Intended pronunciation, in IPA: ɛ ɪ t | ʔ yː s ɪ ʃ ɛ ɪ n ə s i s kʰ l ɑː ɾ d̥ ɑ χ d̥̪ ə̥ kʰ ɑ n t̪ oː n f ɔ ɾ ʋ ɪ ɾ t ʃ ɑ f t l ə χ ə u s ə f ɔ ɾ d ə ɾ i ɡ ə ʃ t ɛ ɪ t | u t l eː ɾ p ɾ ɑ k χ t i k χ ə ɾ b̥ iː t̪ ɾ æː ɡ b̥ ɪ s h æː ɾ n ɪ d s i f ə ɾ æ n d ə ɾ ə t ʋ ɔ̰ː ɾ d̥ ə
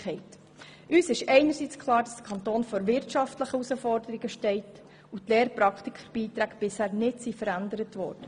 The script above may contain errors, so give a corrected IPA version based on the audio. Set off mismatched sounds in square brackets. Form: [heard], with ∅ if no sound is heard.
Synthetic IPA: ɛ ɪ t | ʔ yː s ɪ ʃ ɛ ɪ n ə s i [t͡s] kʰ l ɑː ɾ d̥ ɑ [s] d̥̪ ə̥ kʰ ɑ n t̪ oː n f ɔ ɾ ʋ ɪ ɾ t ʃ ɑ f t l ə χ ə u s ə f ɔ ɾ d ə ɾ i ɡ ə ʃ t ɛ ɪ t | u t l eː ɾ p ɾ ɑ k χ t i k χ ə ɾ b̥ iː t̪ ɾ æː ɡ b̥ ɪ s h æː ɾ n ɪ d s i f ə ɾ æ n d ə ɾ ə t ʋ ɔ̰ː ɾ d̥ ə